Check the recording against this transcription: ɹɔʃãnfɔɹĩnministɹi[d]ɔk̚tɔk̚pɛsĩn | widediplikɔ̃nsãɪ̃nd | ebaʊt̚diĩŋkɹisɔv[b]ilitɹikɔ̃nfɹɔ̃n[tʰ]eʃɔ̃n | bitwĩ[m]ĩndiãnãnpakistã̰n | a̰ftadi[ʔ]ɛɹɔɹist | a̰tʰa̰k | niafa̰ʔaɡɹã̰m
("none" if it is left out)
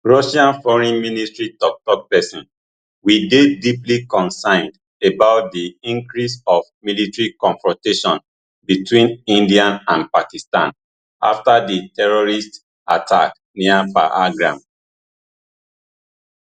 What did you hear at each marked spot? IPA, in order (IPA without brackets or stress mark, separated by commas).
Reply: t, m, t, n, t